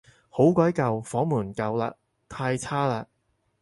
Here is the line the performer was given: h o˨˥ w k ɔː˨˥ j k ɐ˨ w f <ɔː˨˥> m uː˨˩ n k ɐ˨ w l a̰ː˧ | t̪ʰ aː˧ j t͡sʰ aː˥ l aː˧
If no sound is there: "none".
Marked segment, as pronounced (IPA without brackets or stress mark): ɔː˨˥